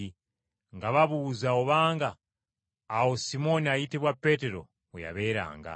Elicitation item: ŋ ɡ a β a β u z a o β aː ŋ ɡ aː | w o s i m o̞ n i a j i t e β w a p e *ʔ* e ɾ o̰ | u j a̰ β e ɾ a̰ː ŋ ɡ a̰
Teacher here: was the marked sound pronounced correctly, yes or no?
no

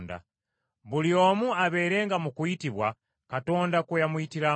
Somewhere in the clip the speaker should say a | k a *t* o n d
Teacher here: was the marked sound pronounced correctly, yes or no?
yes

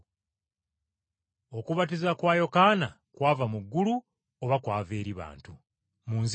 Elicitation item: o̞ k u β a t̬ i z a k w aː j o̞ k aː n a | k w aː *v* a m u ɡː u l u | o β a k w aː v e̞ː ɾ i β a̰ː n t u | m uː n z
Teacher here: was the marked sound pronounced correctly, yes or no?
yes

